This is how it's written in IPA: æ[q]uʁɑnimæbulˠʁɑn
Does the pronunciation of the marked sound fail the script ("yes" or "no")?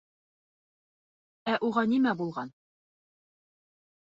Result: yes